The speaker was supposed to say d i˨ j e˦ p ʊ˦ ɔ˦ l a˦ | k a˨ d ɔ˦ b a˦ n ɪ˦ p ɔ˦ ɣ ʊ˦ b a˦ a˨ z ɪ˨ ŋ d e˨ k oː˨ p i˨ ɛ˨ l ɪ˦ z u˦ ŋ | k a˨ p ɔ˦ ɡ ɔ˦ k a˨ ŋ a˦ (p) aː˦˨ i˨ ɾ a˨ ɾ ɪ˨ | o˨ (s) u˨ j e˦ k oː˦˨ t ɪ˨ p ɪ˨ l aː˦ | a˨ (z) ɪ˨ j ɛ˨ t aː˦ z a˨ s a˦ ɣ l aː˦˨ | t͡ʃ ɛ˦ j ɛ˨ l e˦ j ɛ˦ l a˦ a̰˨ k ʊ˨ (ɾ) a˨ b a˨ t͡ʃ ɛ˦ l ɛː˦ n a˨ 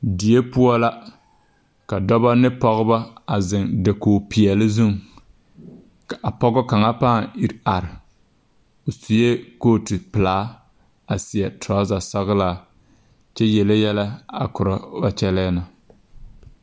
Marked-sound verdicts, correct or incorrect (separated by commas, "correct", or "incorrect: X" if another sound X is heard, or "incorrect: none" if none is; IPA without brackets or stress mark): correct, correct, incorrect: s, correct